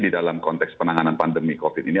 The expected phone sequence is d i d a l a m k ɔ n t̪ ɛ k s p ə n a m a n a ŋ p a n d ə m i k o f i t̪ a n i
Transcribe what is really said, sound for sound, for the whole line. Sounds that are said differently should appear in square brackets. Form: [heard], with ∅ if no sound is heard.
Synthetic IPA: d i d a l a m k ɔ n t̪ ɛ k s p ə n a [ŋ] a n a [n] p a n d ə m i k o f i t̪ [i] n i